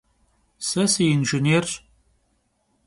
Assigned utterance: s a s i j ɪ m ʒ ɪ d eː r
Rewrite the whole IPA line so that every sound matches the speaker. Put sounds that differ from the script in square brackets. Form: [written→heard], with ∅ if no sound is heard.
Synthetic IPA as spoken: s [a→ɐ] s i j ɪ [m→n] ʒ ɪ [d→n] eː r

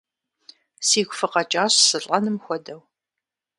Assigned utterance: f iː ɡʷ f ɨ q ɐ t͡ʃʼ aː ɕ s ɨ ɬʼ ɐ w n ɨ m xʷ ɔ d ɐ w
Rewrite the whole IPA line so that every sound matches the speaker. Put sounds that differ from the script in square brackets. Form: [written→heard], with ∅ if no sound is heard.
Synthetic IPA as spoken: [f→s] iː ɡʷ f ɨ q ɐ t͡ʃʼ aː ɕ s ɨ ɬʼ ɐ [w→∅] n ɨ m xʷ ɔ d ɐ w

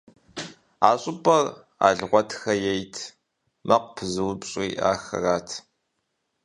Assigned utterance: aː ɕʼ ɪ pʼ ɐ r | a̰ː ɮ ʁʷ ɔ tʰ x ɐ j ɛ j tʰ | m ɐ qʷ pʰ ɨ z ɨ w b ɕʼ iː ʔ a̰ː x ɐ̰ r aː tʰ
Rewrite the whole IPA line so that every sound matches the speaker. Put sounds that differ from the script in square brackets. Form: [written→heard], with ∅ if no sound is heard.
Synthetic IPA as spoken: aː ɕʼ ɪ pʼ ɐ r | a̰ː ɮ ʁʷ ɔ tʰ x ɐ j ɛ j tʰ | m ɐ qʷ pʰ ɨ z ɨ w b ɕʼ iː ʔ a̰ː x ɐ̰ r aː tʰ

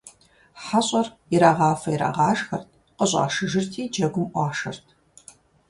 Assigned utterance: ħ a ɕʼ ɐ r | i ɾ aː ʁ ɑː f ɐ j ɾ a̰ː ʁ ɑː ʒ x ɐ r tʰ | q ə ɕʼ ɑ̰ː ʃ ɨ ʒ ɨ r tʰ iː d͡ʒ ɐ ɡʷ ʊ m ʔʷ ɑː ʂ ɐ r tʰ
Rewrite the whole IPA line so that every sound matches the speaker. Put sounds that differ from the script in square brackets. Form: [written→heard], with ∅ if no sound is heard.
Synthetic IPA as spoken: ħ a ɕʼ ɐ r | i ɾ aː ʁ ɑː f ɐ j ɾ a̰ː ʁ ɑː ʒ x ɐ r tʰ | q ə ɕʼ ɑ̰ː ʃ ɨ ʒ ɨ r tʰ iː d͡ʒ ɐ ɡʷ ʊ m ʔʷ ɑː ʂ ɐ r tʰ

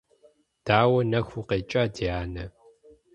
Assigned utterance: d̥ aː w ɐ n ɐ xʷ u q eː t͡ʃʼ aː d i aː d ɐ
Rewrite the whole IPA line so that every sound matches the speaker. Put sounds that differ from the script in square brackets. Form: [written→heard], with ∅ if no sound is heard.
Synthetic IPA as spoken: d̥ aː w ɐ n ɐ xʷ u q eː t͡ʃʼ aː d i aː [d→n] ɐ

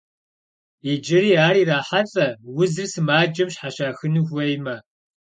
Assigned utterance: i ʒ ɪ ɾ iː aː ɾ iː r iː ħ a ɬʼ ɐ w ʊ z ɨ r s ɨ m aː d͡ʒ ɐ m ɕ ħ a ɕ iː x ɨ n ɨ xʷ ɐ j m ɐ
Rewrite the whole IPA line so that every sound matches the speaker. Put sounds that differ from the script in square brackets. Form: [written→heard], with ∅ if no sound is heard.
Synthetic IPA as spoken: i [ʒ→d͡ʒ] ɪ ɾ iː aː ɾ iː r [iː→aː] ħ a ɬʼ ɐ w ʊ z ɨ r s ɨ m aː d͡ʒ ɐ m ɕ ħ a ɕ [iː→aː] x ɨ n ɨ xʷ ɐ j m ɐ

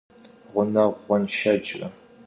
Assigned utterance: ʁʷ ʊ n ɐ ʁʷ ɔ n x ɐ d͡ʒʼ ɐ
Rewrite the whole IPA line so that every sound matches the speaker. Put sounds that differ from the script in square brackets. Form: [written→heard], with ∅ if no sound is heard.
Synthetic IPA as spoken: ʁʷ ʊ n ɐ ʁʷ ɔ n [x→ʃ] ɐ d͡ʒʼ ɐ

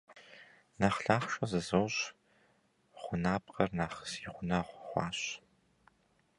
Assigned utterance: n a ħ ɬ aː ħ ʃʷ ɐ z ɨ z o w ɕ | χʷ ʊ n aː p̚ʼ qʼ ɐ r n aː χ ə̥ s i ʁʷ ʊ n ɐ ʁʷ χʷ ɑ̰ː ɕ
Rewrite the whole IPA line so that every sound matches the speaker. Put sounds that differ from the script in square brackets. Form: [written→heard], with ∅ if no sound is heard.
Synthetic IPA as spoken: n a [ħ→χ] ɬ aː [ħ→χ] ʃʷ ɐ z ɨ z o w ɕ | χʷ ʊ n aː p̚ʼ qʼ ɐ r n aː χ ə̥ s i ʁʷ ʊ n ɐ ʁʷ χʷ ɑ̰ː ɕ

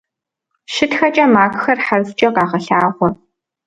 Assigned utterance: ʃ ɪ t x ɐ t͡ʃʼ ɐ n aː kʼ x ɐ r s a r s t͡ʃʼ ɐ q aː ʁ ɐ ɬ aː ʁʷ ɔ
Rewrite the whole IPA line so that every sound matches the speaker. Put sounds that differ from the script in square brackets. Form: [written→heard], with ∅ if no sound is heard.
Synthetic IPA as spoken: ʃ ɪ t x ɐ t͡ʃʼ ɐ [n→m] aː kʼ x ɐ r [s→ħ] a r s t͡ʃʼ ɐ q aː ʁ ɐ ɬ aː ʁʷ ɔ

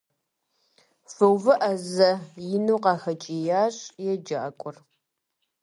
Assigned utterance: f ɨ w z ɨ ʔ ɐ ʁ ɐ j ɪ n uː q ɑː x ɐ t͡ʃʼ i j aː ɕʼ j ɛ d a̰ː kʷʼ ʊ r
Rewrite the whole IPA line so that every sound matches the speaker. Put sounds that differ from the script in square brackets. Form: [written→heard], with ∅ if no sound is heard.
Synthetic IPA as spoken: f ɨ w [z→v] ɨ ʔ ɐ [ʁ→z] ɐ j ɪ n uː q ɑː x ɐ t͡ʃʼ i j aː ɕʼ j ɛ [d→d͡ʒ] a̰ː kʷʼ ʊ r

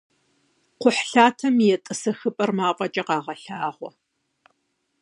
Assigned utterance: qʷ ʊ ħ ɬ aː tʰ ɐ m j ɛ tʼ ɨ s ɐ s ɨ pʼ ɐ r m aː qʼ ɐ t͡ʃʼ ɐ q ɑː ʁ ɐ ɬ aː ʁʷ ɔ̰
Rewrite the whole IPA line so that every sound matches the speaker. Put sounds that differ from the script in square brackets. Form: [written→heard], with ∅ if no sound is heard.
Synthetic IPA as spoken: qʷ ʊ ħ ɬ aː tʰ ɐ m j ɛ tʼ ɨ s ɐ [s→x] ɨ pʼ ɐ r m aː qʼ ɐ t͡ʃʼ ɐ q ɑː ʁ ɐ ɬ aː ʁʷ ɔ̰

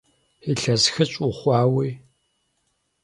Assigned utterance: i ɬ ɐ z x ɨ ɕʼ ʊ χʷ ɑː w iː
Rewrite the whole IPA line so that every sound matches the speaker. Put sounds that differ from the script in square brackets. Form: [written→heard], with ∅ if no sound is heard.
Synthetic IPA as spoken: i ɬ ɐ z x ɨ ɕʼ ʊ χʷ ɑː w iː

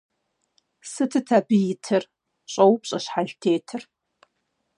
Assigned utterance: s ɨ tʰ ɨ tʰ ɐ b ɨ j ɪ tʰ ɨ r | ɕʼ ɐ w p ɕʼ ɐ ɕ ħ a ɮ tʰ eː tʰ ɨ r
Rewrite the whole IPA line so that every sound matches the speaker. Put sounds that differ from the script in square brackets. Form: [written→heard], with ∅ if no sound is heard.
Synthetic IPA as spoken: s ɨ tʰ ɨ tʰ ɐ b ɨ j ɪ tʰ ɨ r | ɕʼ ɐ w p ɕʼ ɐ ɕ ħ a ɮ tʰ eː tʰ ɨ r

